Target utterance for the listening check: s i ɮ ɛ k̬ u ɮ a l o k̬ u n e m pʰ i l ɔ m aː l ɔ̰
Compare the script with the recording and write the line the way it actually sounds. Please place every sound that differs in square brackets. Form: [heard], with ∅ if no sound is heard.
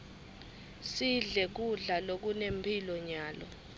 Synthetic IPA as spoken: s i ɮ ɛ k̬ u ɮ a l o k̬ u n e m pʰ i l ɔ [ɲ] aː l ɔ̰